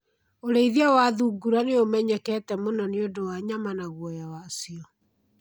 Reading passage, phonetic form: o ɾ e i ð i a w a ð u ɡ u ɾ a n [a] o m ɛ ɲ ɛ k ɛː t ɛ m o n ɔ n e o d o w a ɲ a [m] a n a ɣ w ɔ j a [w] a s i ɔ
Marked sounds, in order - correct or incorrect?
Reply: incorrect: e, correct, correct

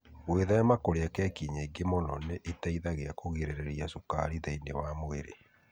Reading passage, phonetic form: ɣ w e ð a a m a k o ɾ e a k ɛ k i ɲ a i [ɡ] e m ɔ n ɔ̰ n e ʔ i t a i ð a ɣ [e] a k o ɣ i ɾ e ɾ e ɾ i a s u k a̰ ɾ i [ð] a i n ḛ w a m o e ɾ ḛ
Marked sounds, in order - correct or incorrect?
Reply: correct, correct, correct

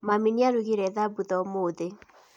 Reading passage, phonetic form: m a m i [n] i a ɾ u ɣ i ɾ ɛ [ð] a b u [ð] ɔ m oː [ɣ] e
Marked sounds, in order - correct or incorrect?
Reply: correct, correct, correct, incorrect: ð

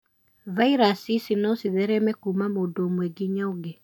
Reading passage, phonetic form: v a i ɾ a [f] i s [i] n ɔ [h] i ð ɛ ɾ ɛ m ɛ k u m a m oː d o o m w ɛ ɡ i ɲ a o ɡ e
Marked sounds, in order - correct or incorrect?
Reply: incorrect: s, correct, incorrect: s

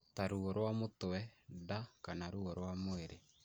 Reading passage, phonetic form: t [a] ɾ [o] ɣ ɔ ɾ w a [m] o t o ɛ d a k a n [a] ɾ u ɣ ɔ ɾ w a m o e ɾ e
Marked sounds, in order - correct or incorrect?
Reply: correct, incorrect: u, correct, correct

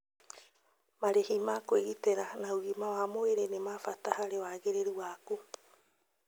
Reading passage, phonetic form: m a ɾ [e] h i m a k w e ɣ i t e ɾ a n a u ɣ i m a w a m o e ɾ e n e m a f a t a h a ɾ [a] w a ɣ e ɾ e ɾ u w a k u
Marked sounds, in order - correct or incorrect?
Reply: correct, incorrect: e

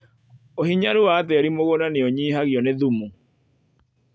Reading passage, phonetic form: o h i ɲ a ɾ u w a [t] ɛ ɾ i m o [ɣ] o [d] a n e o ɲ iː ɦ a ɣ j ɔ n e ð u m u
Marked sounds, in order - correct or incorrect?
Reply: correct, correct, incorrect: n

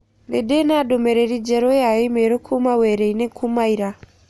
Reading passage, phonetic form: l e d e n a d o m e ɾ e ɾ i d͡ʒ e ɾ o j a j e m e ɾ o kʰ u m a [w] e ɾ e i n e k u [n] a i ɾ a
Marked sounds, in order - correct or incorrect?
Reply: correct, incorrect: m

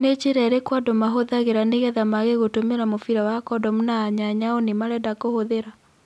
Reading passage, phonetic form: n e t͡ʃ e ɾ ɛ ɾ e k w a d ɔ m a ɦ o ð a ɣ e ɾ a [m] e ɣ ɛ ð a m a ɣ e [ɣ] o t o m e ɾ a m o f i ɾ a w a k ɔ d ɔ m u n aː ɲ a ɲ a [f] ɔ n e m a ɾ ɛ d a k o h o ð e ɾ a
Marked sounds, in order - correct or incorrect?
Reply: incorrect: n, correct, incorrect: none

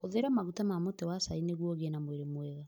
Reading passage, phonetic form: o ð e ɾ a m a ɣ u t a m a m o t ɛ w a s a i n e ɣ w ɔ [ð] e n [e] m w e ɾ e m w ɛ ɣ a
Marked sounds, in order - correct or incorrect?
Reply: incorrect: ɣ, incorrect: a

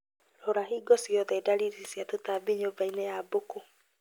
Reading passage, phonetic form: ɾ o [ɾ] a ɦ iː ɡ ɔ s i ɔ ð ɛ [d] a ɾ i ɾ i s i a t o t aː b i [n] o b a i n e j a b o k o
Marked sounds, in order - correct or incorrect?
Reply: correct, correct, incorrect: ɲ

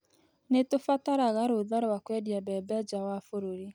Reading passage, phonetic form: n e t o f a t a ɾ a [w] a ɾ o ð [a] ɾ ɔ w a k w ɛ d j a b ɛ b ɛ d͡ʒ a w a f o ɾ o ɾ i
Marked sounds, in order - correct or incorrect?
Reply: incorrect: ɣ, correct

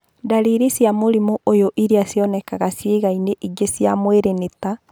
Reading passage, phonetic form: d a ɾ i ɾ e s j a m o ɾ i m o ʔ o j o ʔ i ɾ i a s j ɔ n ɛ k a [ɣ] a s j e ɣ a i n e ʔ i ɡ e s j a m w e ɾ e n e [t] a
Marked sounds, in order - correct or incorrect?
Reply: correct, correct

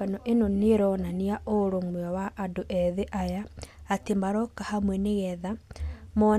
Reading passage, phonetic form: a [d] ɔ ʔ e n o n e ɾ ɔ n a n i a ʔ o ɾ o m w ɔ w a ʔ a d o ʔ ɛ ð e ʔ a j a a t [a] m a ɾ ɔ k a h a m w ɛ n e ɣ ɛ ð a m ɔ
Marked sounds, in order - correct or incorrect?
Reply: incorrect: n, incorrect: e

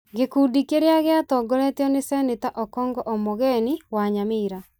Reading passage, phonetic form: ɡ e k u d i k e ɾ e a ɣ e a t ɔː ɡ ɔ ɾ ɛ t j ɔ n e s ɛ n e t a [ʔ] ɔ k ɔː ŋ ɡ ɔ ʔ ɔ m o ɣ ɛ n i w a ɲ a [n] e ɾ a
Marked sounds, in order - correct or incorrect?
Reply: correct, incorrect: m

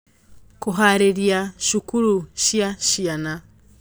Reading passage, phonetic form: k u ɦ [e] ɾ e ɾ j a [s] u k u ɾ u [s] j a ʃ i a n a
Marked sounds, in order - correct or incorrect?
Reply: incorrect: a, incorrect: ʃ, incorrect: ʃ

